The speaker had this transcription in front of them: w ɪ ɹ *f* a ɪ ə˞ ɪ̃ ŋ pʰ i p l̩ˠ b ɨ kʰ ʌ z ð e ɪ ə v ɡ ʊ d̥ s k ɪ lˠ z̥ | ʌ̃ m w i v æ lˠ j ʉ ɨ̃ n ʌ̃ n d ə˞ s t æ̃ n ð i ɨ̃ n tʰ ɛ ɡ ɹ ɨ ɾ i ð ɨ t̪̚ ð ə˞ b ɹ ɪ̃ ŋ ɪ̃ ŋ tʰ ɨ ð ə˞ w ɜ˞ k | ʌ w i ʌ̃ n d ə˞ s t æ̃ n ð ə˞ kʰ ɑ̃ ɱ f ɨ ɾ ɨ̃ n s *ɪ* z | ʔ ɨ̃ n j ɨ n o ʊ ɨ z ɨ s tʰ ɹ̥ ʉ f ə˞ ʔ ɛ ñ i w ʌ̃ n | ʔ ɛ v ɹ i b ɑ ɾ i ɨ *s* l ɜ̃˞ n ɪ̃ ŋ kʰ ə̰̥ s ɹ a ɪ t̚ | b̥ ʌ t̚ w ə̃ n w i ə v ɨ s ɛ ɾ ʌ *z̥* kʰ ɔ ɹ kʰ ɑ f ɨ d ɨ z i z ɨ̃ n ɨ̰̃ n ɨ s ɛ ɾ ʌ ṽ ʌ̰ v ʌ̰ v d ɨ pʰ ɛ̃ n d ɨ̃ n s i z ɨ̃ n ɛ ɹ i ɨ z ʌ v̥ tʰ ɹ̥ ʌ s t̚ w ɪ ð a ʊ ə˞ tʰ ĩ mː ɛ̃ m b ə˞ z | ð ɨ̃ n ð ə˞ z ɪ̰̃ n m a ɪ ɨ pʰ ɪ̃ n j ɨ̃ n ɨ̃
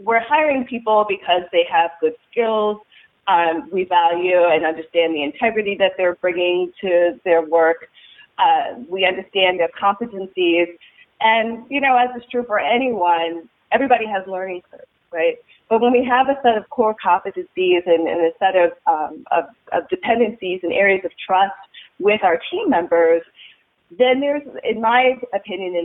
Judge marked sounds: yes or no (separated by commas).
no, no, no, no